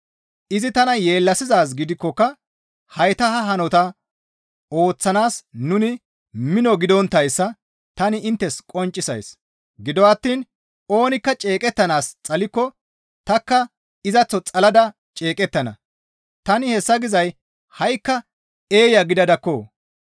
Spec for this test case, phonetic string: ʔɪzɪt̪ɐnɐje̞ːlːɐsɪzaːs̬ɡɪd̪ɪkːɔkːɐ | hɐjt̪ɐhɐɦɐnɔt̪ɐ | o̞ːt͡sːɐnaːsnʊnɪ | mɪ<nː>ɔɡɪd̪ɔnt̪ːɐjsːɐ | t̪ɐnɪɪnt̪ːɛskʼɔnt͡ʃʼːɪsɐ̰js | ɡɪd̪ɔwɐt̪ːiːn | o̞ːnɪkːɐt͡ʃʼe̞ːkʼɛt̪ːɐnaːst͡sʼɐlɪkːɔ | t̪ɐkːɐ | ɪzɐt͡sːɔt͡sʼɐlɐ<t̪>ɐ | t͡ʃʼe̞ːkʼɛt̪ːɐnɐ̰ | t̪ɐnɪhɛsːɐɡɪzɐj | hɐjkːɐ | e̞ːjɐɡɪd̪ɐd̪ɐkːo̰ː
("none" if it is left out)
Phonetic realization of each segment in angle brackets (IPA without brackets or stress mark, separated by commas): n, d̪